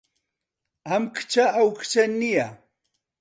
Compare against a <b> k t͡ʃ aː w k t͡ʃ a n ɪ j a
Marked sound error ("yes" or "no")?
yes